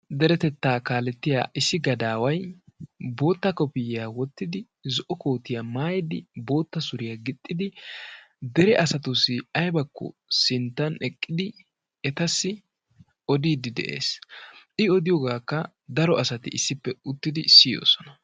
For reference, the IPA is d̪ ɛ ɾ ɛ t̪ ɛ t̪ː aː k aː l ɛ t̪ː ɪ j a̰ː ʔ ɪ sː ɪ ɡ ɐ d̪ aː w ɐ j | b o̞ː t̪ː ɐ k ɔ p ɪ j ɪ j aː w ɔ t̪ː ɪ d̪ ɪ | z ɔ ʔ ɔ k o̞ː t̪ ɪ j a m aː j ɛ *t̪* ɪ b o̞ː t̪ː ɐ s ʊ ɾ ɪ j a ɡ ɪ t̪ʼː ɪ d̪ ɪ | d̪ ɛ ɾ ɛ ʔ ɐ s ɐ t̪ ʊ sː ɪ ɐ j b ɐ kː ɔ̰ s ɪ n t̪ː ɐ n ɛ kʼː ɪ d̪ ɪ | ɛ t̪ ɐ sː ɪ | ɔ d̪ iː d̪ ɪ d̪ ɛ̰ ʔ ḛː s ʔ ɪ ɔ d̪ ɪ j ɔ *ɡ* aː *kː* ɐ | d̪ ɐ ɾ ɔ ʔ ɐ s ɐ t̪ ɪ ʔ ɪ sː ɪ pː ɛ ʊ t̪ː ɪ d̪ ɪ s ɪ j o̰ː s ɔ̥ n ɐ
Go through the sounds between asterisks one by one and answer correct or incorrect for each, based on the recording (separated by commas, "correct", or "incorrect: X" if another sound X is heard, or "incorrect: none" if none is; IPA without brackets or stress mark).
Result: incorrect: d̪, correct, correct